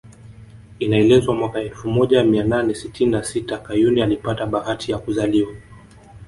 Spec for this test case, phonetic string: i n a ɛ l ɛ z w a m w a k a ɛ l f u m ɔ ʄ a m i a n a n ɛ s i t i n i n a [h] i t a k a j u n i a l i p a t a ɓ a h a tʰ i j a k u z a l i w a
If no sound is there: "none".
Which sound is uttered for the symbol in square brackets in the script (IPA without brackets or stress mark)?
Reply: s